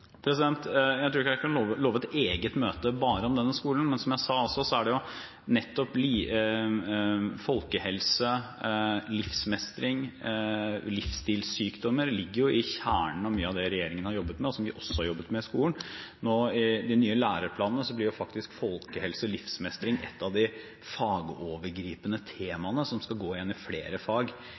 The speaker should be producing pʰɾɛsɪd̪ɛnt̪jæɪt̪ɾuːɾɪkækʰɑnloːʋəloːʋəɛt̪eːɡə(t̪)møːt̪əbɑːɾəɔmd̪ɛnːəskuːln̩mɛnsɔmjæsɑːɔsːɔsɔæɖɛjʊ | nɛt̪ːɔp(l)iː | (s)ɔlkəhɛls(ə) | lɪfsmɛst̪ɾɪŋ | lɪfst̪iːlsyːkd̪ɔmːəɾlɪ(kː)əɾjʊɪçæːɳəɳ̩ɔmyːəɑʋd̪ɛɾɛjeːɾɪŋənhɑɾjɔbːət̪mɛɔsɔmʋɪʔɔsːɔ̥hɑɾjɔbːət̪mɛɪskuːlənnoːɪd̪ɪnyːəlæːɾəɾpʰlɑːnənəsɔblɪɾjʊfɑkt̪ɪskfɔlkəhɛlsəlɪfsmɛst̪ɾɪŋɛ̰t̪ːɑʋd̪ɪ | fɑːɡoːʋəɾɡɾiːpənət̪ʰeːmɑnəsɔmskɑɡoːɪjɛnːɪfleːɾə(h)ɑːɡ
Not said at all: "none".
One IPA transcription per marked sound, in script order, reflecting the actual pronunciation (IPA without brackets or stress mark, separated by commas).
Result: t̪, l, f, ə, ɡː, f